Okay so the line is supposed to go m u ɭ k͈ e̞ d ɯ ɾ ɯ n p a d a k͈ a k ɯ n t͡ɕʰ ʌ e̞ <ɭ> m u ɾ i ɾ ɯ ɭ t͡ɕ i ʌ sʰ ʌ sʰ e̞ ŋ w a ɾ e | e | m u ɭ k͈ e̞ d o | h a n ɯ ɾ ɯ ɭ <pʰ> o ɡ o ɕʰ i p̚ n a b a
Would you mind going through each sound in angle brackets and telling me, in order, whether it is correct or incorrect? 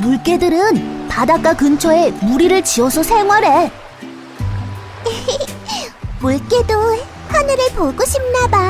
incorrect, incorrect

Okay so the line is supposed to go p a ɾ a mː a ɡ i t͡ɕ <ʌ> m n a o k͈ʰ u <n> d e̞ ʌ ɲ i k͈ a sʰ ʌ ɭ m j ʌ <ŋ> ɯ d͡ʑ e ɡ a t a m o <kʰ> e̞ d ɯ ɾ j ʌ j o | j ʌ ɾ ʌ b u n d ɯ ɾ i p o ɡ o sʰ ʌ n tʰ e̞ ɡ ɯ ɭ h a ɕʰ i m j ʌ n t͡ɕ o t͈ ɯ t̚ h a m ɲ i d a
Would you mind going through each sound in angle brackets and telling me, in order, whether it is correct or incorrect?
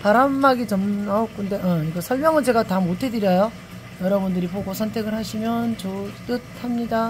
correct, correct, correct, incorrect

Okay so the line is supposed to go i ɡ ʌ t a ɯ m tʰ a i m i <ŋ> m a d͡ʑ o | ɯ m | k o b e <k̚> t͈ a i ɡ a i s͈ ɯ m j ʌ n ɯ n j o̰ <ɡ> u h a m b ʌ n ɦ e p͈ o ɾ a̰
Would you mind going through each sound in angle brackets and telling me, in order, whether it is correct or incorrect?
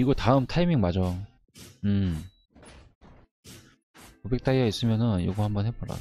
correct, correct, correct

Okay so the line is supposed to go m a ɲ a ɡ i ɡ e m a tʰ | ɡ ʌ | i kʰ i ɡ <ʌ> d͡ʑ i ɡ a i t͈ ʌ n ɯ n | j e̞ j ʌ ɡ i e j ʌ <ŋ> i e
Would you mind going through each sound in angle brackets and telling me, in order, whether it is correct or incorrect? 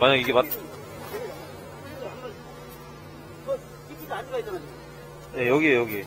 incorrect, incorrect

